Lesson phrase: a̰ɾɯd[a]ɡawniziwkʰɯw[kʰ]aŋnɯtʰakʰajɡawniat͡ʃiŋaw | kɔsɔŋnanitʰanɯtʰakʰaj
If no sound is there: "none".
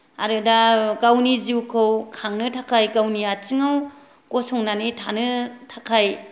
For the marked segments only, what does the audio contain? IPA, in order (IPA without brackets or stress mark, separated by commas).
a, kʰ